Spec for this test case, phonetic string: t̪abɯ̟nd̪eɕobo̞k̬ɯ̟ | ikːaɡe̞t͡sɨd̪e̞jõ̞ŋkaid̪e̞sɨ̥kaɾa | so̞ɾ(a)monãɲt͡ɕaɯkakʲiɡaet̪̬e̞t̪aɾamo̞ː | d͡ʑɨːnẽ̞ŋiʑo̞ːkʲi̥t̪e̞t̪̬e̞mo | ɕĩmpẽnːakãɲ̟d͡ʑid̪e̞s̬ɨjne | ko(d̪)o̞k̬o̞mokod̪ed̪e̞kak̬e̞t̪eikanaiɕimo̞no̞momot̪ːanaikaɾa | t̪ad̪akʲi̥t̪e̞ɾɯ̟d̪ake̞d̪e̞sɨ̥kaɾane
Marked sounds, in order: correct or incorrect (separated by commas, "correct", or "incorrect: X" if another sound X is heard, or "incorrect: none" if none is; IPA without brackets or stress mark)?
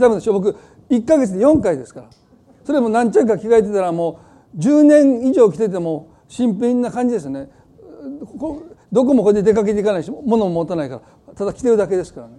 incorrect: e, correct